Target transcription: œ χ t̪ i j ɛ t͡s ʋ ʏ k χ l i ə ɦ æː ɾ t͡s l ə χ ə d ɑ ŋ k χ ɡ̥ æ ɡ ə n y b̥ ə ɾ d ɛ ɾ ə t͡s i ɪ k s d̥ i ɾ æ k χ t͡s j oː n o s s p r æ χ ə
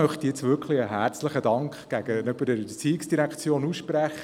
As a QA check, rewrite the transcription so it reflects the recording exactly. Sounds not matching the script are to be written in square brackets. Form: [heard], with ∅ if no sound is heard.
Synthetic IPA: œ χ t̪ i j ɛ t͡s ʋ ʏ k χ l i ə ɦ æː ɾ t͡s l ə χ ə d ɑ ŋ k χ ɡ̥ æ ɡ ə n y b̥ ə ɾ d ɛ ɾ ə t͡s i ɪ k s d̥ i ɾ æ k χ t͡s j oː n [u] s [ʃ] p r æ χ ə